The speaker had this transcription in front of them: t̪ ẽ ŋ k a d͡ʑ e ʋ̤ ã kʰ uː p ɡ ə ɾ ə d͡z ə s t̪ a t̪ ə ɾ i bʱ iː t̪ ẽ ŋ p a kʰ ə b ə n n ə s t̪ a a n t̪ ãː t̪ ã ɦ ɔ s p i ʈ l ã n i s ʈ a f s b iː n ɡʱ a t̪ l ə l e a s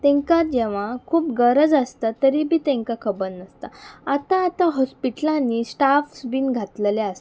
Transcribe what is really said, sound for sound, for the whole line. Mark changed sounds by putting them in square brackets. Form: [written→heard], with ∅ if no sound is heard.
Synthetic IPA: t̪ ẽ ŋ k a d͡ʑ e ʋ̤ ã kʰ uː p ɡ ə ɾ ə d͡z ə s t̪ a t̪ ə ɾ i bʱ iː t̪ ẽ ŋ [p→k] a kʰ ə b ə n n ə s t̪ a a [n→∅] t̪ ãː t̪ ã ɦ ɔ s p i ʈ l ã n i s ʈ a f s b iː n ɡʱ a t̪ l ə l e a s